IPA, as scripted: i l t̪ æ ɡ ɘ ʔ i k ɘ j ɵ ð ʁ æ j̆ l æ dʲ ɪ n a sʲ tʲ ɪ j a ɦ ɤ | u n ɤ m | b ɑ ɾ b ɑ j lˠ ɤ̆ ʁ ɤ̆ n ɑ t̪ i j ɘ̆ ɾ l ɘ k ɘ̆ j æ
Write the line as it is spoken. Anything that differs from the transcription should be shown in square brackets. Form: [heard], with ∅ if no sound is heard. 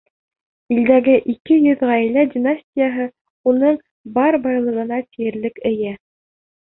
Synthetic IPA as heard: i l [d̪] æ ɡ ɘ ʔ i k ɘ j ɵ ð ʁ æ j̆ l æ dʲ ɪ n a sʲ tʲ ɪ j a ɦ ɤ | u n ɤ [ɴ] | b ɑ ɾ b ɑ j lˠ ɤ̆ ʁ ɤ̆ n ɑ t̪ i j ɘ̆ ɾ l ɘ k ɘ̆ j æ